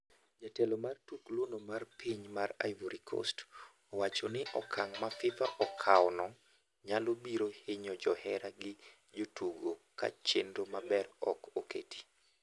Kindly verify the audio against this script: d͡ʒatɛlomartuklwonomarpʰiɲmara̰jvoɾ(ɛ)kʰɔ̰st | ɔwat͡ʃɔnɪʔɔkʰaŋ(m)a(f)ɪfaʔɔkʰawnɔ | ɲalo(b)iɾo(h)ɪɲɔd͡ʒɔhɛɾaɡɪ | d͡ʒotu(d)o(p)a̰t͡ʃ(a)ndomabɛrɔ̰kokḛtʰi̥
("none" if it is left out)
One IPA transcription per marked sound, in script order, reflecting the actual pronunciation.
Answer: i, m, f, b, h, ɡ, k, e

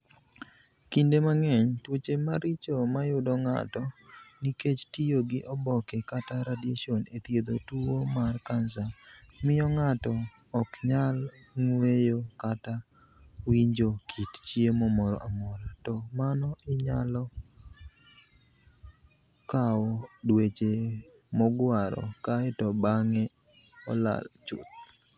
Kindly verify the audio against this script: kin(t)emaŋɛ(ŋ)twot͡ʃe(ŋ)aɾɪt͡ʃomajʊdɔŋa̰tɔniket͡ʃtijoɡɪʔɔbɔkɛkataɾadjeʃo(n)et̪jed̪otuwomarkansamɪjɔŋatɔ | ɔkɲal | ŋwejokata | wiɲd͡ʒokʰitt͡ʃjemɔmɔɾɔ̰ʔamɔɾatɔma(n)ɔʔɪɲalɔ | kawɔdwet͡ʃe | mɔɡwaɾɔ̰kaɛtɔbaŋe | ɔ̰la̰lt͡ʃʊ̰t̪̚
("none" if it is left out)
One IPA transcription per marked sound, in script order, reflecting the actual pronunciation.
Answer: d, ɲ, m, n, n

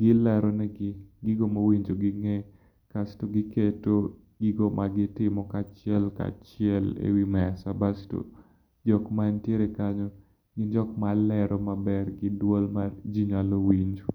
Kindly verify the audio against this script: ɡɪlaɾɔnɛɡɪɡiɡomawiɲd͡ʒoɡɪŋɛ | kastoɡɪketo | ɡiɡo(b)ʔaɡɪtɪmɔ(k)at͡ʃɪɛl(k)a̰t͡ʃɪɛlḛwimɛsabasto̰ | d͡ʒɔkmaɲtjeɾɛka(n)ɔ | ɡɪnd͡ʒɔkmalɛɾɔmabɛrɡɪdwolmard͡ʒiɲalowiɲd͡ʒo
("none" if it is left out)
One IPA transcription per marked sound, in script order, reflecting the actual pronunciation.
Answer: m, k, k, ɲ

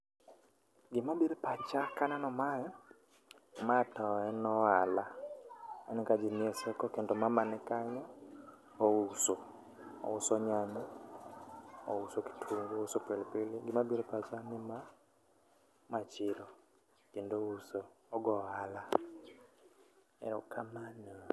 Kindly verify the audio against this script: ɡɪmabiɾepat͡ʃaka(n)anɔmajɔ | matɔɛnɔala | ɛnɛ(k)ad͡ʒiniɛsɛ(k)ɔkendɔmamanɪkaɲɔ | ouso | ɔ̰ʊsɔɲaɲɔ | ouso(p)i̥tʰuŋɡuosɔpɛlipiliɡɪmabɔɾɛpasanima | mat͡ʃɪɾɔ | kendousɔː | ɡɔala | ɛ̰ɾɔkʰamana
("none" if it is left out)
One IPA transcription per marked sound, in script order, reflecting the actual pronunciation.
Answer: n, k, k, k

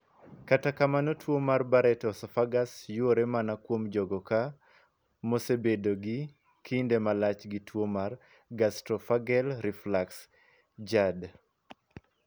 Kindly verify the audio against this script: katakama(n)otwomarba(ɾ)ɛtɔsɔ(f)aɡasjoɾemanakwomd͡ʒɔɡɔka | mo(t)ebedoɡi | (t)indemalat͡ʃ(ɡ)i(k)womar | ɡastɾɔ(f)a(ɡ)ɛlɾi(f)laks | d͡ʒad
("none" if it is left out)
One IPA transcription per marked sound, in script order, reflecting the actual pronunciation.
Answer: n, ɾ, f, s, k, ɡ, t, f, ɡ, f

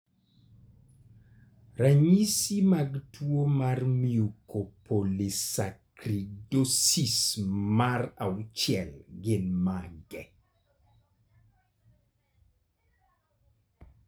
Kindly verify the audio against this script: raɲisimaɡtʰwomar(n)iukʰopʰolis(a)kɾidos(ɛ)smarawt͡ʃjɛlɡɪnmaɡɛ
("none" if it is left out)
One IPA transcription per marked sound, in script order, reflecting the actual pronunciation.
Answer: m, a, i

